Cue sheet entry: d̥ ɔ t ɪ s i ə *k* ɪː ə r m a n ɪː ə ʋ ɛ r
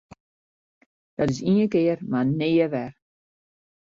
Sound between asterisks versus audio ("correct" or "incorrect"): correct